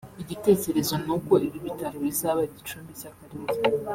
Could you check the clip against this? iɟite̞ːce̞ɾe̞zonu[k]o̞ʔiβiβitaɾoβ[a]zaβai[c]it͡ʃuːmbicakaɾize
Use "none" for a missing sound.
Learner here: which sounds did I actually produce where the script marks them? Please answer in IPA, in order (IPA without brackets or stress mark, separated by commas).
k, i, ɟ